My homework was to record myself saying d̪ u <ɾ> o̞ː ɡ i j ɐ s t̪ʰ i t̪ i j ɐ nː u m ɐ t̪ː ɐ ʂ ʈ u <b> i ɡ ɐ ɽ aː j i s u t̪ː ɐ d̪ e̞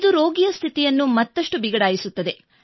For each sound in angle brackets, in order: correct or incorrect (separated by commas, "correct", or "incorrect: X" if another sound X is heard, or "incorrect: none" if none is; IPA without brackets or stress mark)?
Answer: correct, correct